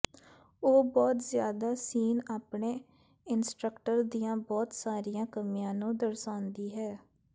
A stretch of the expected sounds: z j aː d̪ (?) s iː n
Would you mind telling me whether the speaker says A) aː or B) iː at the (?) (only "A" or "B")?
A